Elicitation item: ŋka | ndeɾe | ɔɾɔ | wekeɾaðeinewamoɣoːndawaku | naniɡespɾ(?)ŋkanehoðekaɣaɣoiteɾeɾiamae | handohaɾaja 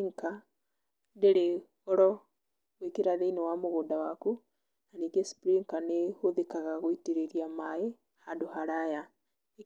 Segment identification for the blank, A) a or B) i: B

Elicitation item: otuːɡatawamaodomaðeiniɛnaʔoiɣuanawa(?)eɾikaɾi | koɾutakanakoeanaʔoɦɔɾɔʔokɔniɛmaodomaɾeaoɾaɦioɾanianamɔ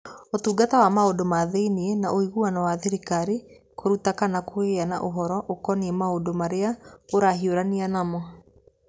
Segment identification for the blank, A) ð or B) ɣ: A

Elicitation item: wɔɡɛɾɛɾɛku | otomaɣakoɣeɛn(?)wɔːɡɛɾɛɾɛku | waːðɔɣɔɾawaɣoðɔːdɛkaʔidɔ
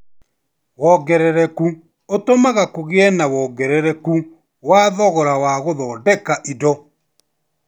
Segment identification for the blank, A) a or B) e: A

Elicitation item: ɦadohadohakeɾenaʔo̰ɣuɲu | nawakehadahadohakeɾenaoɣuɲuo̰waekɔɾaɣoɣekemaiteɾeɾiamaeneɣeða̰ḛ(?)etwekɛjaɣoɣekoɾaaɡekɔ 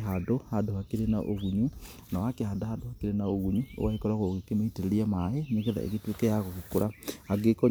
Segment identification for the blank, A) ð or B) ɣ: B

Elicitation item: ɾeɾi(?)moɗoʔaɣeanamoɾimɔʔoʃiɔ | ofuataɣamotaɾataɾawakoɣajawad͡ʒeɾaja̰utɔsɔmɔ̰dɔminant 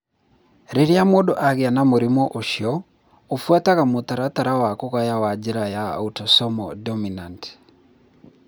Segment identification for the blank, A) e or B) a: B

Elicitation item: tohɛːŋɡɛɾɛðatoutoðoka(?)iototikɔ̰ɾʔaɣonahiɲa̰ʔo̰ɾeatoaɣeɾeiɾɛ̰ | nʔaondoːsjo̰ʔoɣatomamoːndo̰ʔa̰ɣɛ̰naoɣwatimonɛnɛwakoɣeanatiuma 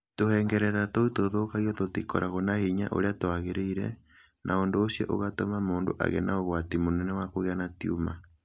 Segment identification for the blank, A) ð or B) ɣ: B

